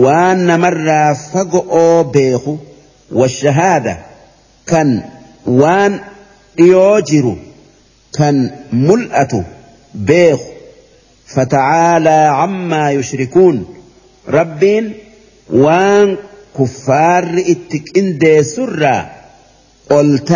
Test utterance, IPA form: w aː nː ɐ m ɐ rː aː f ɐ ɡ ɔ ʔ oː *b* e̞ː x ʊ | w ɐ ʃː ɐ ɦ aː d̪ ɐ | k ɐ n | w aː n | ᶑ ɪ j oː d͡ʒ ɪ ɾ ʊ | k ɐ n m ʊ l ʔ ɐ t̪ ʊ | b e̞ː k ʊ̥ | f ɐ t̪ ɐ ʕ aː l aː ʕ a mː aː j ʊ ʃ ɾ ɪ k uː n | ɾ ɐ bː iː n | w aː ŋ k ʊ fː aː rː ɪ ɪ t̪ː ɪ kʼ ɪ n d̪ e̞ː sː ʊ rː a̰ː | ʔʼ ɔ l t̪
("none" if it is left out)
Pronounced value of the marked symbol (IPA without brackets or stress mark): b